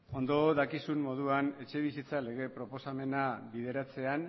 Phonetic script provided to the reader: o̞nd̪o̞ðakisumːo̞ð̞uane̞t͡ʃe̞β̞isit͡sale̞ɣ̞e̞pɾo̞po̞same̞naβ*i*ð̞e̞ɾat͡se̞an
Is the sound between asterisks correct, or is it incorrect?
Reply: correct